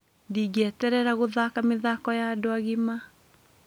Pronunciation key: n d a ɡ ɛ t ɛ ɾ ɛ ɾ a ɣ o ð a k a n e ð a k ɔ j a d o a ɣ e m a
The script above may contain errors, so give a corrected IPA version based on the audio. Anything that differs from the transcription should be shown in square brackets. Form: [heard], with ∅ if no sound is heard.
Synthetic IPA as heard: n d [i] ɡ ɛ t ɛ ɾ ɛ ɾ a ɣ o ð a k a [m] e ð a k ɔ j a d o a ɣ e m a

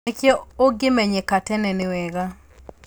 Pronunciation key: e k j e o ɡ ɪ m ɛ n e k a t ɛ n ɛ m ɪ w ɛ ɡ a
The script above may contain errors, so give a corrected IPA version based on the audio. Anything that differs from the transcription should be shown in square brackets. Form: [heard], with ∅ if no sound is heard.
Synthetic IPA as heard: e k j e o ɡ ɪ m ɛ [ɲ] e k a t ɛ n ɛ [n] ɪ w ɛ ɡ a

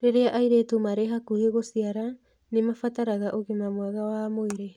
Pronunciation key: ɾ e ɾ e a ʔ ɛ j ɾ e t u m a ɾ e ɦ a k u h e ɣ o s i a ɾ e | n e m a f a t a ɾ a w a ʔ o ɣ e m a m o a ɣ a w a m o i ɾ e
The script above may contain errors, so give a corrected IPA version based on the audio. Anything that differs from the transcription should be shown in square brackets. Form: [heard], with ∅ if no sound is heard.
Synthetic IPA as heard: ɾ e ɾ e a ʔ [a] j ɾ e t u m a ɾ e ɦ a k u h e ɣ o s i a ɾ [a] | n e m a f a t a ɾ a [ɣ] a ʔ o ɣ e m a m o a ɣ a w a m o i ɾ e

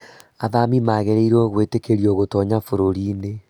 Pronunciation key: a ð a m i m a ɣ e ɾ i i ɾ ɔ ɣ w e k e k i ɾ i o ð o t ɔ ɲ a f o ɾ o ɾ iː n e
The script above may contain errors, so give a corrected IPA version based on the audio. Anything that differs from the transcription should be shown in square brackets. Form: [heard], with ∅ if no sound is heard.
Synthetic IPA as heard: a ð a m i m a ɣ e ɾ [e] i ɾ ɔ ɣ w e [t] e k [e] ɾ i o [ɣ] o t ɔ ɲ a f o ɾ o ɾ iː n e

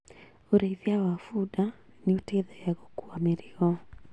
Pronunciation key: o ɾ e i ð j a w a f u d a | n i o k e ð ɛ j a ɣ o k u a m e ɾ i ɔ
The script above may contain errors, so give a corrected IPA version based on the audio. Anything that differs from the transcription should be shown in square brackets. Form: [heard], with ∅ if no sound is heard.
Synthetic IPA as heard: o ɾ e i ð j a w a f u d a | n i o [t] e ð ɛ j a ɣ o k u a m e ɾ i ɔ

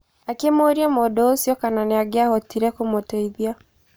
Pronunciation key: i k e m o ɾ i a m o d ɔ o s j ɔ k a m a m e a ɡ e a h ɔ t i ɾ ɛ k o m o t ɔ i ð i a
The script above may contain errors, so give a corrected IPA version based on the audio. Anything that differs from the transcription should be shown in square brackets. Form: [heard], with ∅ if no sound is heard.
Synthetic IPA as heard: [a] k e m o ɾ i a m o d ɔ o s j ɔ k a [n] a [n] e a ɡ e a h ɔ t i ɾ ɛ k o m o t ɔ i ð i a

